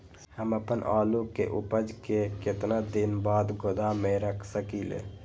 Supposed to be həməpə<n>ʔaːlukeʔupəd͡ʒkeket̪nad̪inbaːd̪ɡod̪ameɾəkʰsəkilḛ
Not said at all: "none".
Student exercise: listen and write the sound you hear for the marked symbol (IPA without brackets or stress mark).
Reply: n